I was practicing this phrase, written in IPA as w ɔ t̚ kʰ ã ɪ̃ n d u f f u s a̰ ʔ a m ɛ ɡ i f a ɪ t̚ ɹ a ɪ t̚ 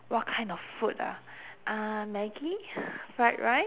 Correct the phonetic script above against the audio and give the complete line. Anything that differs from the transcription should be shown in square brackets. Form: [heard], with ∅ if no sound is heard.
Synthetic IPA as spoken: w ɔ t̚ kʰ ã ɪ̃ n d [ɔ] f f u [t] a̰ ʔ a m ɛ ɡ i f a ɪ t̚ ɹ a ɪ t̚

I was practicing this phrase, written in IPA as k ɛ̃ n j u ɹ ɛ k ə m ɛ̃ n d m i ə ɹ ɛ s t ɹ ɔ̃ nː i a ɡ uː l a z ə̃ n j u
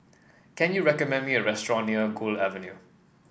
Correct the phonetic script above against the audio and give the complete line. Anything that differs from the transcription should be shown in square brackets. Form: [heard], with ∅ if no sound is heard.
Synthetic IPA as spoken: k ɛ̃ n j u ɹ ɛ k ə m ɛ̃ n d m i ə ɹ ɛ s t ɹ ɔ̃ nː i [ə] ɡ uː l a [v] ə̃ n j u

